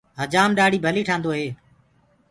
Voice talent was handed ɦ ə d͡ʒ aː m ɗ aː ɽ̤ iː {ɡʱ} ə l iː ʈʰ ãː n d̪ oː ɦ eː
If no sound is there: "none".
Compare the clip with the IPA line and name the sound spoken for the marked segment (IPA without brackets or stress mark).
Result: bʱ